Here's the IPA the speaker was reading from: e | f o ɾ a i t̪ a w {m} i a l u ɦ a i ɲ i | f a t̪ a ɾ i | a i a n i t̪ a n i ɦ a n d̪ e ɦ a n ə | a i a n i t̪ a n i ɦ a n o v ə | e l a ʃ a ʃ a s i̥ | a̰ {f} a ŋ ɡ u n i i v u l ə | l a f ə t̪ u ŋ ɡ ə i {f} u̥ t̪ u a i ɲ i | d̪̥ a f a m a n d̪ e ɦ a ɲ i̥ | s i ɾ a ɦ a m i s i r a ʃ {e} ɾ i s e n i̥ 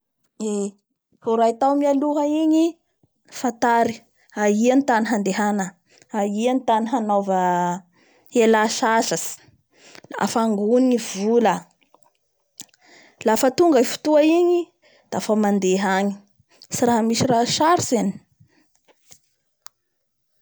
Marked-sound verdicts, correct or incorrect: correct, correct, correct, incorrect: a

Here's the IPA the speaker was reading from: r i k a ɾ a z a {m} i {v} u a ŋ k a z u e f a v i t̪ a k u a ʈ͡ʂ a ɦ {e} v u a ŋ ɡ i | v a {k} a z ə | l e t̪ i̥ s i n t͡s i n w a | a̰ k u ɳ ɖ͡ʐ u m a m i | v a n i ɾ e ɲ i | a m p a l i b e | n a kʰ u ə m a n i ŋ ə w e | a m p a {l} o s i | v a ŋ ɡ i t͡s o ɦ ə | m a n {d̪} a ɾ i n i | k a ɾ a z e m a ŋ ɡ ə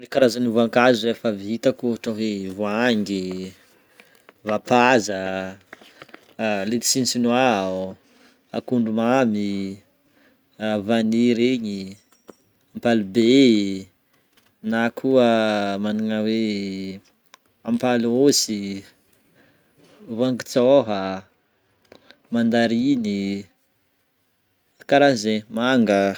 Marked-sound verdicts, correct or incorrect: incorrect: n, correct, correct, incorrect: p, correct, correct

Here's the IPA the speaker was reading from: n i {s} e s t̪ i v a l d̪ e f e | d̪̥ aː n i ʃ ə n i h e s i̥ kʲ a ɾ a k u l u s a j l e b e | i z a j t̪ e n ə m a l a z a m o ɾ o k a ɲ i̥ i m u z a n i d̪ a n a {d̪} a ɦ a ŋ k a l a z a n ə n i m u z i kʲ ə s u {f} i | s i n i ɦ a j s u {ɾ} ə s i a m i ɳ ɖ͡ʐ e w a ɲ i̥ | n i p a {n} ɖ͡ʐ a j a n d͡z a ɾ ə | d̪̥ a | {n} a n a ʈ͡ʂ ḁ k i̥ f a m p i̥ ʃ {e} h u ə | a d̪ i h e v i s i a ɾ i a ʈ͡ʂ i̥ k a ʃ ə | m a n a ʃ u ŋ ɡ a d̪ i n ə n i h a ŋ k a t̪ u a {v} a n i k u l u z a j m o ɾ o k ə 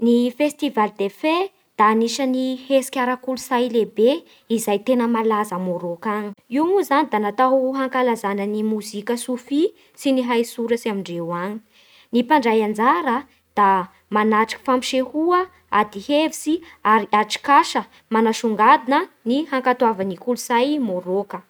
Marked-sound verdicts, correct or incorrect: incorrect: f, incorrect: t̪, correct, correct, incorrect: ɳ, incorrect: m, correct, correct

